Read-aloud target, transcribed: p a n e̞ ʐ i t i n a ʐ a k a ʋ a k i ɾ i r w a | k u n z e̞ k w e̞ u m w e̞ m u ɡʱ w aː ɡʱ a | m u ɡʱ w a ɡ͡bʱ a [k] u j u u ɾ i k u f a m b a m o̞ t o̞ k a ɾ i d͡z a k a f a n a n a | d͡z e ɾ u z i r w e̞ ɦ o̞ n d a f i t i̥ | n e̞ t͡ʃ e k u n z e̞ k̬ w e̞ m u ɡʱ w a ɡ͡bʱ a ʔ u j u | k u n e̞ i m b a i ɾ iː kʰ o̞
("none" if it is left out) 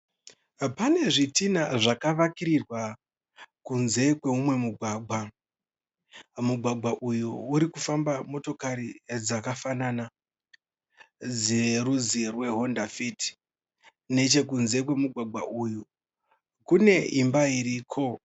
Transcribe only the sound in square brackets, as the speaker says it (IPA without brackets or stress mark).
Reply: ʔ